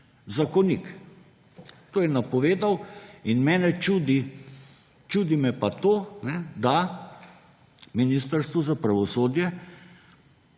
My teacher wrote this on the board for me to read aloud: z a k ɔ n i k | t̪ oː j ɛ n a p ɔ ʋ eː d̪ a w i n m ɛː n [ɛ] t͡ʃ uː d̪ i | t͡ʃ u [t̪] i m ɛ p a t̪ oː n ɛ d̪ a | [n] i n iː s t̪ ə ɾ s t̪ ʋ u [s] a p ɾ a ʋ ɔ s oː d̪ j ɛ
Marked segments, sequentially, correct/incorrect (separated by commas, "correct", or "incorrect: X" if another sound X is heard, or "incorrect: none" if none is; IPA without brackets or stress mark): correct, incorrect: d̪, incorrect: m, incorrect: z